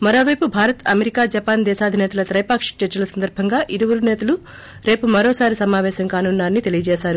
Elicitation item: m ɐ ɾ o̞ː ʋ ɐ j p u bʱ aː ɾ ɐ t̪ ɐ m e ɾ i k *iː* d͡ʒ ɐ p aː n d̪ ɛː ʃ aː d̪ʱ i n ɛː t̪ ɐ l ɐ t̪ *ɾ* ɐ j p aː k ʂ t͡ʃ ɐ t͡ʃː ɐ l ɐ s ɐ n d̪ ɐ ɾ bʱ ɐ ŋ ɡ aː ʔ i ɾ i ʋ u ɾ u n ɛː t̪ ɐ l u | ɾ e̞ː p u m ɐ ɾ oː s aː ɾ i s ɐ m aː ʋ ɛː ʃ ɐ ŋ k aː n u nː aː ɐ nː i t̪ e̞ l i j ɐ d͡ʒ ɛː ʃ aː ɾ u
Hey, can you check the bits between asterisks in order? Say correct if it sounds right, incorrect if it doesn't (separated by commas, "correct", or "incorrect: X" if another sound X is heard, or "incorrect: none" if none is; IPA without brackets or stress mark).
incorrect: aː, correct